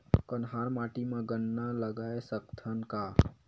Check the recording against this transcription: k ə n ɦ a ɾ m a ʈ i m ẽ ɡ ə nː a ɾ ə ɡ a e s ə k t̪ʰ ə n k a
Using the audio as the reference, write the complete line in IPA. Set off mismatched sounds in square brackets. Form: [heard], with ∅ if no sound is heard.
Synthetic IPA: k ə n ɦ a ɾ m a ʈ i m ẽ ɡ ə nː a [l] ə ɡ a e s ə k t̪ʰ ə n k a

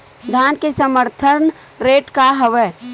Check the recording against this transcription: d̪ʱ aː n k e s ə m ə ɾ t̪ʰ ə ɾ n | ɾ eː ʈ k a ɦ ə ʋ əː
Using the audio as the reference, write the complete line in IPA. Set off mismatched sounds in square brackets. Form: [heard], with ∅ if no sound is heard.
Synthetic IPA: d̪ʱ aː n k e s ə m ə ɾ t̪ʰ ə ɾ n | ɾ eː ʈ k a ɦ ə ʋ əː

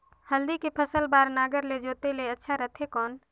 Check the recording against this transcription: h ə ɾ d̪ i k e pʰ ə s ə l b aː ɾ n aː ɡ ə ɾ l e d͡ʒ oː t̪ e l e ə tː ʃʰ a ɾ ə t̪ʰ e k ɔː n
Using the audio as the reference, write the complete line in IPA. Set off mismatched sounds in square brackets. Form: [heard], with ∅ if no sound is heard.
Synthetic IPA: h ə [l] d̪ i k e pʰ ə s ə l b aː ɾ n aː ɡ ə ɾ l e d͡ʒ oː t̪ e l e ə tː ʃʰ a ɾ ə t̪ʰ e k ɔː n

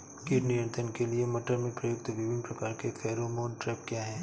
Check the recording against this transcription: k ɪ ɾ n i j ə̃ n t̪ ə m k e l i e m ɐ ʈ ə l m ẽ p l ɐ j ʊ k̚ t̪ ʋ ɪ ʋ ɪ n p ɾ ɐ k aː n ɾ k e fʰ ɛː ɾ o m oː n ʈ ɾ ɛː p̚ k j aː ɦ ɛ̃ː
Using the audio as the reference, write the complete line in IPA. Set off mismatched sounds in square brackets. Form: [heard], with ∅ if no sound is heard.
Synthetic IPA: k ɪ ɾ n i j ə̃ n t̪ ə [n] k e l i e m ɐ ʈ ə [ɾ] m ẽ p [ɾ] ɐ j ʊ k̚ t̪ ʋ ɪ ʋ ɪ n p ɾ ɐ k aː [∅] ɾ k e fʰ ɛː ɾ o m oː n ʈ ɾ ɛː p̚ k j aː ɦ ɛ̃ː

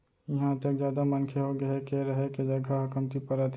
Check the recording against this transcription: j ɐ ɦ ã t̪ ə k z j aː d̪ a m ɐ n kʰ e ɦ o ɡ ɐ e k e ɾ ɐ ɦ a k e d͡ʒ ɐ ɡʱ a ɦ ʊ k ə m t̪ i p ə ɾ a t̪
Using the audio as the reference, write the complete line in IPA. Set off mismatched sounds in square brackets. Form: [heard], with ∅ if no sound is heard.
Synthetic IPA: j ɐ ɦ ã t̪ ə k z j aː d̪ a m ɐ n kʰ e ɦ o ɡ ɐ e k e ɾ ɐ ɦ [e] k e d͡ʒ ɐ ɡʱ a ɦ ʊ k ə m t̪ i p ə ɾ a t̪

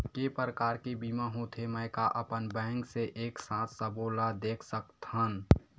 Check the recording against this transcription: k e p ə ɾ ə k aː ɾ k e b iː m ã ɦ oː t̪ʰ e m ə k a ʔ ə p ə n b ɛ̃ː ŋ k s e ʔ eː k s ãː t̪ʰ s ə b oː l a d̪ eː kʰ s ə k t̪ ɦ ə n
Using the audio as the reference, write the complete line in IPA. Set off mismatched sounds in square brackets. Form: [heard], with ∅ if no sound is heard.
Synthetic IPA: k e p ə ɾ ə k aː ɾ k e b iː m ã ɦ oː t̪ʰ e m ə k a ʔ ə p ə n b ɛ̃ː ŋ k s e ʔ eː k s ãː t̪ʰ s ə b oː l a d̪ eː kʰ s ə k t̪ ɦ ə n

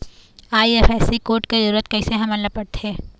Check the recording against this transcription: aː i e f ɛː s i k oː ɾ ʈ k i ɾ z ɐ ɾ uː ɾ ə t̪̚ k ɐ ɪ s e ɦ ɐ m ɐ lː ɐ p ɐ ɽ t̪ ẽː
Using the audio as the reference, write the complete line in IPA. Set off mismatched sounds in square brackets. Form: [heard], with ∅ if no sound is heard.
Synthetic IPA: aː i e f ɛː s i k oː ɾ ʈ k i [∅] z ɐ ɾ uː ɾ ə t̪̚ k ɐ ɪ s e ɦ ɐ m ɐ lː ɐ p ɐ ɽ t̪ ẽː

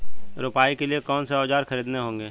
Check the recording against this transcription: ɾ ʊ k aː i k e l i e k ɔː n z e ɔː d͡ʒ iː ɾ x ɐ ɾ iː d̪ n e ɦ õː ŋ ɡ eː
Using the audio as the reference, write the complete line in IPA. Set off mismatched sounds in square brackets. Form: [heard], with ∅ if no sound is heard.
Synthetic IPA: ɾ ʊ [p] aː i k e l i e k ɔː n [s] e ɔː d͡ʒ [aː] ɾ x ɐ ɾ iː d̪ n e ɦ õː ŋ ɡ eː

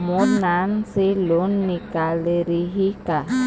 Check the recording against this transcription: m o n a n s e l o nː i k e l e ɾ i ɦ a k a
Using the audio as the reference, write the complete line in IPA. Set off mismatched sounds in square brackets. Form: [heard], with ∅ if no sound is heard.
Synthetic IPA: m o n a n s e l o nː i k [a] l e ɾ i ɦ [i] k a

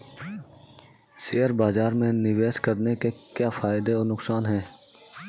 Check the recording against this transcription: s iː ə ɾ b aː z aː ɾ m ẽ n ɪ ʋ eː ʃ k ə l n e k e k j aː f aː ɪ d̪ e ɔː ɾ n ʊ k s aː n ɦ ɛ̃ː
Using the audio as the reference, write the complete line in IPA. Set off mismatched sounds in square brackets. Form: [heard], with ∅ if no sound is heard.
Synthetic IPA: s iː ə ɾ b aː z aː ɾ m ẽ n ɪ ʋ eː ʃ k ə [ɾ] n e k e k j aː f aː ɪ d̪ e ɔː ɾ n ʊ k s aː n ɦ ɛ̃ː

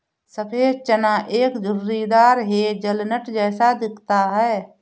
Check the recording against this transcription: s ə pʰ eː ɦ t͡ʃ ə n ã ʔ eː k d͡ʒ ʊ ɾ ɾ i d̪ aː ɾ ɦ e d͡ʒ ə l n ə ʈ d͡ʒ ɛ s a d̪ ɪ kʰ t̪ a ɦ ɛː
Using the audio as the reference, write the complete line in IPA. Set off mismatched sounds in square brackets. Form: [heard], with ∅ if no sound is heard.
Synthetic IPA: s ə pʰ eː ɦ t͡ʃ ə n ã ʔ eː k d͡ʒ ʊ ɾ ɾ i d̪ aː ɾ ɦ e d͡ʒ ə l n ə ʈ d͡ʒ [ɛː] s a d̪ ɪ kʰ t̪ a ɦ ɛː

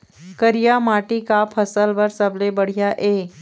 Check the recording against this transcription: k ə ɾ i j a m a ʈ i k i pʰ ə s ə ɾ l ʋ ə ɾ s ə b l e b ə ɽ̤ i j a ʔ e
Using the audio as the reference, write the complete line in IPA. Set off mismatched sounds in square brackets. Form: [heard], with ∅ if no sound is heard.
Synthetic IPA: k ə ɾ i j a m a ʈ i k [a] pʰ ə s ə [∅] l ʋ ə ɾ s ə b l e b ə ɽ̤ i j a ʔ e

